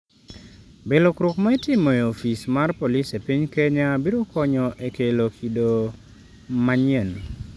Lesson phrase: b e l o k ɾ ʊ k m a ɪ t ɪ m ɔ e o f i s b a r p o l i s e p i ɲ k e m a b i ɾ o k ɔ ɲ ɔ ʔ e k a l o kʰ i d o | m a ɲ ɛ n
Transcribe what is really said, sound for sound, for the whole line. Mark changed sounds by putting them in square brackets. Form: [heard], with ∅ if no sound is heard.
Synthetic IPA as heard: b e l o k ɾ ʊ k m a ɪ t ɪ m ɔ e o f i s [m] a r p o l i s e p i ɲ k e [ɲ] a b i ɾ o k ɔ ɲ ɔ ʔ e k [e] l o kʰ i d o | m a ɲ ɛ n